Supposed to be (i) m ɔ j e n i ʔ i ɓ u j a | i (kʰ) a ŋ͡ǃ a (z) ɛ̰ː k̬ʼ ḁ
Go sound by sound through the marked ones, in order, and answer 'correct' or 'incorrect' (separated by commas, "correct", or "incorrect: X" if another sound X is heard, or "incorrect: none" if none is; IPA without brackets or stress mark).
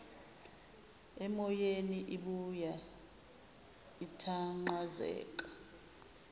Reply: incorrect: ɛ, incorrect: tʰ, correct